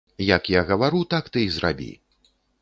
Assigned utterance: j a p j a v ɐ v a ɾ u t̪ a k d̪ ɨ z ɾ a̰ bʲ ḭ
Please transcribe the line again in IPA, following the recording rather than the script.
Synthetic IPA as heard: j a k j a ɣ ɐ v a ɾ u t̪ a k t̪ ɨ z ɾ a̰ bʲ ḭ

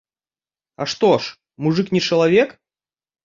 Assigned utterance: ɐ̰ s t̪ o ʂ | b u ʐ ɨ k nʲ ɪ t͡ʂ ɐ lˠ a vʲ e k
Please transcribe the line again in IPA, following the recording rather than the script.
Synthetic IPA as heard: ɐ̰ ʂ t̪ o ʂ | m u ʐ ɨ k nʲ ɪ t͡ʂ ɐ lˠ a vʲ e k

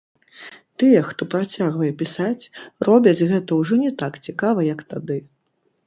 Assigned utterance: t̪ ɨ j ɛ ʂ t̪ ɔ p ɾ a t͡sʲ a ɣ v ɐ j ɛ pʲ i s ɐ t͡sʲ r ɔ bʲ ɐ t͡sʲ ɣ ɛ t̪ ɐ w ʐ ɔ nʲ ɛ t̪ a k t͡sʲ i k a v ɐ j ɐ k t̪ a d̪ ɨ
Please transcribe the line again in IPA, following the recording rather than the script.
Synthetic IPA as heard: t̪ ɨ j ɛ x t̪ ɔ p ɾ a t͡sʲ a ɣ v ɐ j ɛ pʲ i s a t͡sʲ r ɔ bʲ ɐ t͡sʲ ɣ ɛ t̪ ɐ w ʐ ɔ nʲ ɛ t̪ a k t͡sʲ i k a v ɐ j ɐ k t̪ a d̪ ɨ

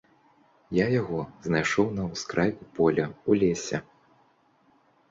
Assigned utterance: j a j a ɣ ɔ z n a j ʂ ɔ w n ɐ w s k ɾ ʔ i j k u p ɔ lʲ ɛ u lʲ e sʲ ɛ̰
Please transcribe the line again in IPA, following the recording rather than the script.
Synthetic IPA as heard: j a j a ɣ ɔ z n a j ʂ ɔ w n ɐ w s k ɾ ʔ a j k u p ɔ lʲ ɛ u lʲ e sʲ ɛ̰

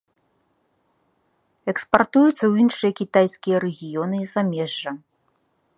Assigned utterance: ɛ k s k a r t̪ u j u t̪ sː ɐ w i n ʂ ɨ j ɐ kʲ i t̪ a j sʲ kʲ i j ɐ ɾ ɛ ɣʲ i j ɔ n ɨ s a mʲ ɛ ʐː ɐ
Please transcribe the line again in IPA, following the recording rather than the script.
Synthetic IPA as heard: ɛ k s p a r t̪ u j u t̪ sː ɐ w i n ʂ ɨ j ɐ kʲ i t̪ a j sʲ kʲ i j ɐ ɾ ɛ ɣʲ i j ɔ n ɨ z a mʲ ɛ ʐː ɐ

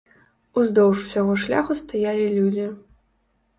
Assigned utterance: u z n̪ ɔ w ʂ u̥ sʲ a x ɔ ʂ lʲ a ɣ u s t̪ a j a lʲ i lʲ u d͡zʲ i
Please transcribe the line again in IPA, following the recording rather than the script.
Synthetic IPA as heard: u z d̪ ɔ w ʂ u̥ sʲ a ɣ ɔ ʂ lʲ a x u s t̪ a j a lʲ i lʲ u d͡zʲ i

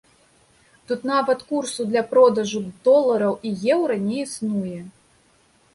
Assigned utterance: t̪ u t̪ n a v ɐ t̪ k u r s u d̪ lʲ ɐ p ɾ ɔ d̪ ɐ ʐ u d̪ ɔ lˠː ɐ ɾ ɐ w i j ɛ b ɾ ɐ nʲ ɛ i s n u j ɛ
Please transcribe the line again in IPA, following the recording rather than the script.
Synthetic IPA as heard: t̪ u t̪ n a v ɐ t̪ k u r s u d̪ lʲ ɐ p ɾ ɔ d̪ ɐ ʐ u d̪ ɔ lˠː ɐ ɾ ɐ w i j ɛ w ɾ ɐ nʲ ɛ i s n u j ɛ

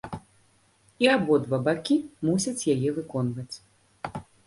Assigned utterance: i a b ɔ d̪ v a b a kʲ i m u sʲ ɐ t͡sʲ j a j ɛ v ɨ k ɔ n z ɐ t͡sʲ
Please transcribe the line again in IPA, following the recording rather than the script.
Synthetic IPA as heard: i a b ɔ d̪ v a b a kʲ i m u sʲ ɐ t͡sʲ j a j ɛ v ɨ k ɔ n v ɐ t͡sʲ

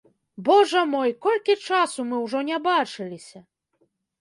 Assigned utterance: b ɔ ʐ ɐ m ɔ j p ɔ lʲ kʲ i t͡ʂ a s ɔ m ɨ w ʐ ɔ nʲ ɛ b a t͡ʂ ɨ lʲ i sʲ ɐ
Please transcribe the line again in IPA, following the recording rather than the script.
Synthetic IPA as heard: b ɔ ʐ ɐ m ɔ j k ɔ lʲ kʲ i t͡ʂ a s u m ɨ w ʐ ɔ nʲ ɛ b a t͡ʂ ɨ lʲ i sʲ ɐ

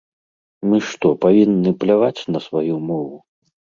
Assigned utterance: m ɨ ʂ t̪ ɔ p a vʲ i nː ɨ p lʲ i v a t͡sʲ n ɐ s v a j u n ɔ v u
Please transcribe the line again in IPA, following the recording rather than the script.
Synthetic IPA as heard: m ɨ ʂ t̪ ɔ p a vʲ i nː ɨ p lʲ a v a t͡sʲ n ɐ s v a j u m ɔ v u

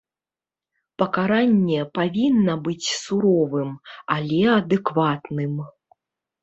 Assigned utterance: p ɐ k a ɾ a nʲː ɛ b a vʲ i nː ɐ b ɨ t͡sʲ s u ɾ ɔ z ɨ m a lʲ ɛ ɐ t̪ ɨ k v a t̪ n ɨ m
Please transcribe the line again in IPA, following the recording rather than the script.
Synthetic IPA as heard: p ɐ k a ɾ a nʲː ɛ p a vʲ i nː ɐ b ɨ t͡sʲ s u ɾ ɔ v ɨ m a lʲ ɛ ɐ d̪ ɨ k v a t̪ n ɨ m

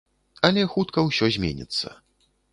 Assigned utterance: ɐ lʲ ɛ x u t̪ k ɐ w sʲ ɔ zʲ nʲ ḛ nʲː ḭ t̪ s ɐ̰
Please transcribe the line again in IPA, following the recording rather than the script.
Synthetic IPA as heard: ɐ lʲ ɛ x u t̪ k ɐ w sʲ ɔ zʲ mʲ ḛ nʲ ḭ t̪ sː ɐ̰

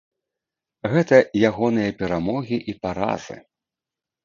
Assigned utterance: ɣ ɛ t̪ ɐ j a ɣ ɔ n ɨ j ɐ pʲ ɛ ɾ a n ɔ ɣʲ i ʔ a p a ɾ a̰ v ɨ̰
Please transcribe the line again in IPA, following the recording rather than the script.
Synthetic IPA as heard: ɣ ɛ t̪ ɐ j a ɣ ɔ n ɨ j ɐ pʲ ɛ ɾ a m ɔ ɣʲ i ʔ i p a ɾ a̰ z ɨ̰

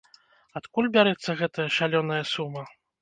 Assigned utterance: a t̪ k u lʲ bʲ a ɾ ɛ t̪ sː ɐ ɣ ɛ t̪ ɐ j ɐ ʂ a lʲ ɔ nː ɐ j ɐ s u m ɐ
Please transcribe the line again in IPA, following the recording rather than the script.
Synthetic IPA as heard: a t̪ k u lʲ bʲ a ɾ ɛ t̪ sː ɐ ɣ ɛ t̪ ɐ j ɐ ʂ a lʲ ɔ n ɐ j ɐ s u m ɐ

